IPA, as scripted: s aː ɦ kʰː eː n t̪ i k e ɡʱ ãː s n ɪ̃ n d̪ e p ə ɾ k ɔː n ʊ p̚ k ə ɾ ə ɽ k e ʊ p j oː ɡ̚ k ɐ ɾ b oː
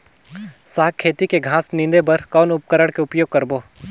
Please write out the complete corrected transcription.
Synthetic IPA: s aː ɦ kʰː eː t̪ i k e ɡʱ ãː s n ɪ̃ n d̪ e b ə ɾ k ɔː n ʊ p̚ k ə ɾ ə ɽ k e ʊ p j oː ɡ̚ k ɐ ɾ b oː